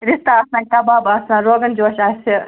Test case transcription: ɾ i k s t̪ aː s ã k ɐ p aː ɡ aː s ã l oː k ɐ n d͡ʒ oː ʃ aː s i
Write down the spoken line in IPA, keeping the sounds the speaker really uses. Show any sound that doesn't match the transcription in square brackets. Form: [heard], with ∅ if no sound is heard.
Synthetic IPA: ɾ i [∅] s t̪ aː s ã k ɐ [b] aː [b] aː s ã [ɾ] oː [ɡ] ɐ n d͡ʒ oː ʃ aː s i